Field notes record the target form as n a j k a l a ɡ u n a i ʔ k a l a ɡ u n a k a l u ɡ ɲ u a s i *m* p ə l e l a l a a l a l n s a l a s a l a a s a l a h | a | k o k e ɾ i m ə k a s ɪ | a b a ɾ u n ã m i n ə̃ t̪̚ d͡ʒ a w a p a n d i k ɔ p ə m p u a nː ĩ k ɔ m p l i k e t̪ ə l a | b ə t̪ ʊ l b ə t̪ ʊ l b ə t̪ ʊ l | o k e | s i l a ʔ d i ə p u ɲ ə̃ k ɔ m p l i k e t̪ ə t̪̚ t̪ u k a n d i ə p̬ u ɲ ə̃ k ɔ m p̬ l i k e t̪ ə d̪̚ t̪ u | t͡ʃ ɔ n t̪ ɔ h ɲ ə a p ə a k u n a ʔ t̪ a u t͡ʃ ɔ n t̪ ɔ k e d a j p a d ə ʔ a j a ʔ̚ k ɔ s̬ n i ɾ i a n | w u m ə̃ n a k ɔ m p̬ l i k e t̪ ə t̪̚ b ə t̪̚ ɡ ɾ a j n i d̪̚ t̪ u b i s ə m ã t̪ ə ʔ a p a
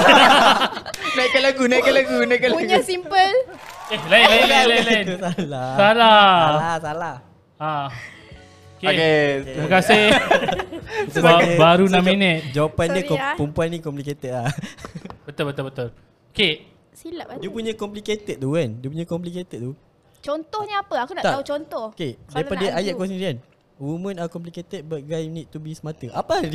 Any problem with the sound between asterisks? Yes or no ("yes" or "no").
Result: no